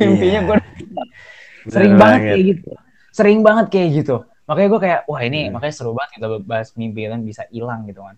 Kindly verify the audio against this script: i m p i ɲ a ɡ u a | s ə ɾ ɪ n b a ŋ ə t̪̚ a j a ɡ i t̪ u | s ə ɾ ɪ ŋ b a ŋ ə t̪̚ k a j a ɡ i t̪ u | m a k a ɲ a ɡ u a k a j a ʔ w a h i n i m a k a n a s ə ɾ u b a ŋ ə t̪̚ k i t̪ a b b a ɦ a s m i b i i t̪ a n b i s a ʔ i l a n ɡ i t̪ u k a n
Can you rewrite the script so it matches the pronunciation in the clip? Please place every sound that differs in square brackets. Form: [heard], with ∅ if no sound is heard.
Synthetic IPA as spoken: i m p i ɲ a ɡ u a | s ə ɾ ɪ [ŋ] b a ŋ ə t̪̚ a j a ɡ i t̪ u | s ə ɾ ɪ ŋ b a ŋ ə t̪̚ k a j a ɡ i t̪ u | m a k a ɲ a ɡ u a k a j a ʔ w a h i n i m a k a [ɲ] a s ə ɾ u b a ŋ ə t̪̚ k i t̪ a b b a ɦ a s m i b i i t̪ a n b i s a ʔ i l a [ŋ] ɡ i t̪ u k a n